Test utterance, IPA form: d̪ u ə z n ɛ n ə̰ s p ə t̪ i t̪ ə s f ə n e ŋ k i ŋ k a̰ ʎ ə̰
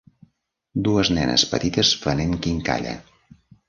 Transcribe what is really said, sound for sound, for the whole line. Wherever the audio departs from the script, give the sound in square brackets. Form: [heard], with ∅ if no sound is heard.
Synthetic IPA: d̪ u ə z n ɛ n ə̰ s p ə t̪ i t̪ ə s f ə n e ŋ k i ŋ k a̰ ʎ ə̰